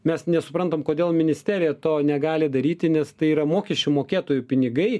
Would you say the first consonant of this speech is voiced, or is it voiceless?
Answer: voiced